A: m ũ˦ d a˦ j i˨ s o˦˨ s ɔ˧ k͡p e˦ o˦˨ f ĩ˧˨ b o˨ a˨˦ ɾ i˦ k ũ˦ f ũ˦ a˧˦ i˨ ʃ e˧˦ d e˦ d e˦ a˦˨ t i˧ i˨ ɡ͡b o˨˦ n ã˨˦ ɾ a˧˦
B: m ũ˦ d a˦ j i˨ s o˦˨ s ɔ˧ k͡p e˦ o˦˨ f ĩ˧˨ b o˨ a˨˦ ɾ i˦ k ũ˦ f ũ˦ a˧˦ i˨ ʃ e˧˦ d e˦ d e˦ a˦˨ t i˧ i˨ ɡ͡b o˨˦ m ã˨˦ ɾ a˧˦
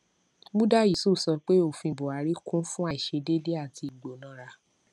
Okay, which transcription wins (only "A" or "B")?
A